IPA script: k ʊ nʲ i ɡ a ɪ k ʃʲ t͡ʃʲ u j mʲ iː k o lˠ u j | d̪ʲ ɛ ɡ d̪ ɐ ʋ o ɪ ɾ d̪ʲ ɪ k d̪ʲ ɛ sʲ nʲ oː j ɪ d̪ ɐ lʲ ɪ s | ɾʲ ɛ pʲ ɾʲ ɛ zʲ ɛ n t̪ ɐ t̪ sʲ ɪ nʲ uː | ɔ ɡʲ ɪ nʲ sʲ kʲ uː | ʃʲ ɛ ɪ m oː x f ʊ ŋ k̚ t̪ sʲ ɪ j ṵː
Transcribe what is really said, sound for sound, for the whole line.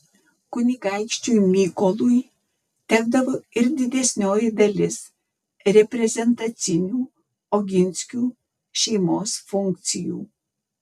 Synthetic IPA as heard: k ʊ nʲ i ɡ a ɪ k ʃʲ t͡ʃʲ u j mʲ iː k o lˠ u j | t̪ʲ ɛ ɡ d̪ ɐ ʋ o ɪ ɾ d̪ʲ ɪ d̪ʲ ɛ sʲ nʲ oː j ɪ d̪ ɐ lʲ ɪ s | ɾʲ ɛ pʲ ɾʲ ɛ zʲ ɛ n t̪ ɐ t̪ sʲ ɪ nʲ uː | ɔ ɡʲ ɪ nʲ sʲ kʲ uː | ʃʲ ɛ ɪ m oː s f ʊ ŋ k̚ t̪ sʲ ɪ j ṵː